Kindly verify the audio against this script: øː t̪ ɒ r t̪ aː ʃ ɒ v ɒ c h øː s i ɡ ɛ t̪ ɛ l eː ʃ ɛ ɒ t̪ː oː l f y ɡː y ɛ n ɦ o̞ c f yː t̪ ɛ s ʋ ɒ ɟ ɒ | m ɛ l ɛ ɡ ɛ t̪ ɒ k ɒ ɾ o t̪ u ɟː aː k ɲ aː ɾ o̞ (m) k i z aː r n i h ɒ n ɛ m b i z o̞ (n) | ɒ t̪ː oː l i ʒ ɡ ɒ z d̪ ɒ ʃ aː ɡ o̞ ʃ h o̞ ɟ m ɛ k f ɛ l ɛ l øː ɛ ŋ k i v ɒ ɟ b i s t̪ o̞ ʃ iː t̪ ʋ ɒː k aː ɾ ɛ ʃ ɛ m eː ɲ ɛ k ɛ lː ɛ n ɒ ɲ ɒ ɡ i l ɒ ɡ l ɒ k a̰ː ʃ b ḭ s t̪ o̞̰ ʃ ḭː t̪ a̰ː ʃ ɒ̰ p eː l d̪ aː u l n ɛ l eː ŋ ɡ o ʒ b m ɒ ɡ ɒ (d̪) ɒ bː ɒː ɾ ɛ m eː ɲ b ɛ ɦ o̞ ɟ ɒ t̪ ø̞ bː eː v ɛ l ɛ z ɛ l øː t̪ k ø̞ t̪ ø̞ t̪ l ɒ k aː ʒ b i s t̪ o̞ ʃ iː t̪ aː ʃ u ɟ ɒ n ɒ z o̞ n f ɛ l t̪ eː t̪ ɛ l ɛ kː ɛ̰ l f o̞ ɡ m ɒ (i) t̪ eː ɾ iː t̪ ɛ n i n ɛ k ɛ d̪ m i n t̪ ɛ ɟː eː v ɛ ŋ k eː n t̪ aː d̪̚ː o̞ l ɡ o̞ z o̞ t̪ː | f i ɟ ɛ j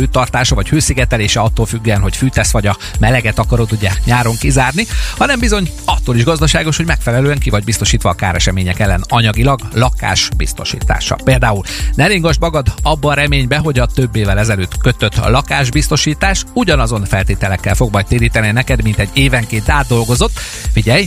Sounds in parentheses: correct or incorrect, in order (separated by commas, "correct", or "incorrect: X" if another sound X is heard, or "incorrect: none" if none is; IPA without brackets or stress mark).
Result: incorrect: ŋ, incorrect: ɲ, correct, incorrect: j